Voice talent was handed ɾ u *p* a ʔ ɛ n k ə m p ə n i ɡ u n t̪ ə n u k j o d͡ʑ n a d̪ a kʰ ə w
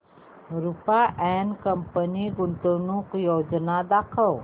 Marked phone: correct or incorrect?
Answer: correct